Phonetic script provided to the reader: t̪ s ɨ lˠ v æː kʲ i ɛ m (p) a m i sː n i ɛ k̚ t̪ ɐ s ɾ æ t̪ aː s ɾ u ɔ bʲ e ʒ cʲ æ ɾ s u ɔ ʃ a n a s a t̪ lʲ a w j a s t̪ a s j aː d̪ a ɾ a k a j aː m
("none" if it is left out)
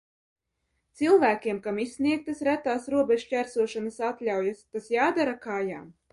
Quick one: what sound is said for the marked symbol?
k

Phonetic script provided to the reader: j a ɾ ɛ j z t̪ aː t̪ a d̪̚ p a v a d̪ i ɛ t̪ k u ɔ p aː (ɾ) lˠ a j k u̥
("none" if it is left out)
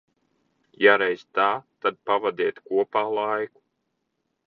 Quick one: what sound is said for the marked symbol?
none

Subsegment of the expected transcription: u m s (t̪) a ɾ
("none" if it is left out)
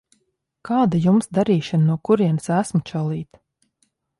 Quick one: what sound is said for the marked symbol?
d̪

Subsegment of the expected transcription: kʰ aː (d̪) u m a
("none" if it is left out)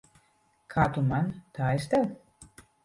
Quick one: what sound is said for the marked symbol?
t̪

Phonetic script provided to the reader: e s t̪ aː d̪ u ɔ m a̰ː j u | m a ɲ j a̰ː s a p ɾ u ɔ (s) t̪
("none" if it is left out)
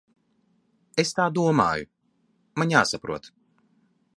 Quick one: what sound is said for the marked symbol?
none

